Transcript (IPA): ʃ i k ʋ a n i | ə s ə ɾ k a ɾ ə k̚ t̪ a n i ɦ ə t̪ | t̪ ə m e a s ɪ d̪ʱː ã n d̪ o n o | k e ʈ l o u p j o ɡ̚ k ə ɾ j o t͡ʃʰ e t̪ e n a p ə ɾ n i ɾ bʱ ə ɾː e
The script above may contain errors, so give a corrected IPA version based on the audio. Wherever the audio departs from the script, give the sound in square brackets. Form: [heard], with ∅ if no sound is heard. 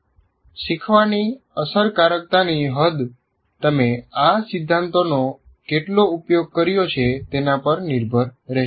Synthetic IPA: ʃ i [kʰ] ʋ a n i | ə s ə ɾ k a ɾ ə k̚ t̪ a n i ɦ ə [d̪] | t̪ ə m e a s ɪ d̪ʱː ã n [t̪] o n o | k e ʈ l o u p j o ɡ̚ k ə ɾ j o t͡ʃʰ e t̪ e n a p ə ɾ n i ɾ bʱ ə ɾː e